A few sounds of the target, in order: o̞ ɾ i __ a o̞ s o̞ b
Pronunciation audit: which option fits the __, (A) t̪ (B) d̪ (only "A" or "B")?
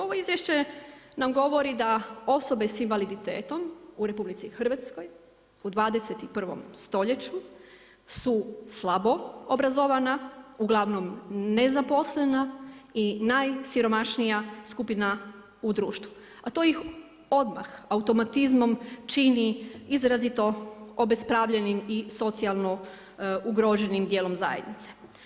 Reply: B